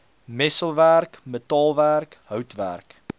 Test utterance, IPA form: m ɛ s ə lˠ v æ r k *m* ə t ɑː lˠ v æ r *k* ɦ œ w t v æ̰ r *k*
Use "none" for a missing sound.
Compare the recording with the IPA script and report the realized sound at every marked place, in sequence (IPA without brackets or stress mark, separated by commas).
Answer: m, k, k